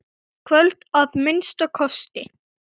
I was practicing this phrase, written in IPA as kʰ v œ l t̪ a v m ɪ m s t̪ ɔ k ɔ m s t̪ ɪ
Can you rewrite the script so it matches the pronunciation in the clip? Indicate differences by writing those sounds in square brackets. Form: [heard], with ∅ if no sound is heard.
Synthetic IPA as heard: kʰ v œ l t̪ a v m ɪ [n] s t̪ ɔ [kʰ] ɔ [∅] s t̪ ɪ